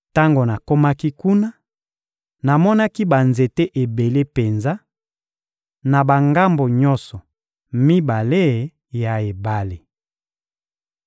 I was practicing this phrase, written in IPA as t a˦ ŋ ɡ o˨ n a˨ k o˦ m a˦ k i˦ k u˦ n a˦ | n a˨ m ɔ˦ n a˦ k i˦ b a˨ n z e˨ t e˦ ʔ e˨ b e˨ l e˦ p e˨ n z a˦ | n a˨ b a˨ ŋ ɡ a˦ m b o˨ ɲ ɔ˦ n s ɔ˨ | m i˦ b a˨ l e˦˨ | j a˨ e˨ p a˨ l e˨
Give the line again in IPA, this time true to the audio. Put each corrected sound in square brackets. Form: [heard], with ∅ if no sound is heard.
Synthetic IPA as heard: t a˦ ŋ ɡ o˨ n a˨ k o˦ m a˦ k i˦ k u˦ n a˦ | n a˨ m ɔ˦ n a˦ k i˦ b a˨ n z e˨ t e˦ ʔ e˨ b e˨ l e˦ p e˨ n z a˦ | n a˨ b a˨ ŋ ɡ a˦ m b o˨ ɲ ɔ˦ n s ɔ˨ | m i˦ b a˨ l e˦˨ | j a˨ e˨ [b] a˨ l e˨